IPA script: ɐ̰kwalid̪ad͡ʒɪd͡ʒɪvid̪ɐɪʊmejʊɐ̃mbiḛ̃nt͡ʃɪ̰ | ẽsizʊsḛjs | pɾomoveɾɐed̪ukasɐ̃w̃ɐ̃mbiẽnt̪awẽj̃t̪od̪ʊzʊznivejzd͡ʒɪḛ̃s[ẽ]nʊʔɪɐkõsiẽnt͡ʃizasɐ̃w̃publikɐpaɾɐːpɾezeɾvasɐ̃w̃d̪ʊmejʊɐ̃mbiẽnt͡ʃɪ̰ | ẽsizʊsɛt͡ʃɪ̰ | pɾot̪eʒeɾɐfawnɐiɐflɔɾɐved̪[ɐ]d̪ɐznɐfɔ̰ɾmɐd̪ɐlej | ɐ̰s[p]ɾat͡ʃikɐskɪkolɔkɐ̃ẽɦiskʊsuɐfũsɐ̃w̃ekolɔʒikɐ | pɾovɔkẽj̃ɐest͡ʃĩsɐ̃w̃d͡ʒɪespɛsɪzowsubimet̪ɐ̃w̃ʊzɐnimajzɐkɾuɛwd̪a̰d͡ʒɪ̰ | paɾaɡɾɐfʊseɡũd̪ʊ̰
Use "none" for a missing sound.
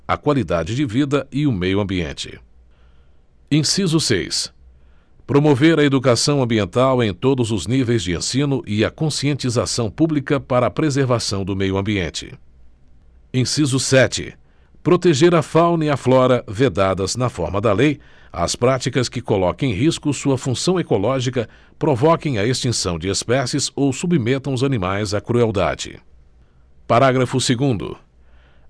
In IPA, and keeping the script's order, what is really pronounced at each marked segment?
ĩ, a, p

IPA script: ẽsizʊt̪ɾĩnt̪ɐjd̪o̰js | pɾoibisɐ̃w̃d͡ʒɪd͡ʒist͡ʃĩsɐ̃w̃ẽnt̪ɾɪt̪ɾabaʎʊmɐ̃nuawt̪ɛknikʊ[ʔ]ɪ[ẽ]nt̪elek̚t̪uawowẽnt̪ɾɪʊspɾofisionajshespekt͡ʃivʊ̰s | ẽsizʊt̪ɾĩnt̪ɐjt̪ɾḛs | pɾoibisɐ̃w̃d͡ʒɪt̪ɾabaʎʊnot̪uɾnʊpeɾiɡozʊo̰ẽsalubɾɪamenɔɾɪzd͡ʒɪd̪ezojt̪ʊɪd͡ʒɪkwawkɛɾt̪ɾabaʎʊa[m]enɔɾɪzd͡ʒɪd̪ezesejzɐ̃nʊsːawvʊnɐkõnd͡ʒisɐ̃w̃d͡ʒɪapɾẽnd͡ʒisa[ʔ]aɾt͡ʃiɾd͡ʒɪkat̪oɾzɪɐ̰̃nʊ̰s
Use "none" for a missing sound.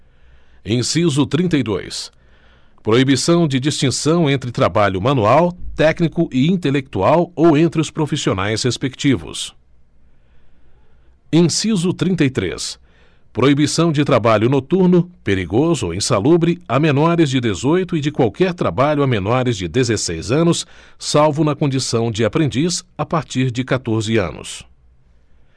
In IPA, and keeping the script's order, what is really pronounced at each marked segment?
ʔ, ĩ, m, p

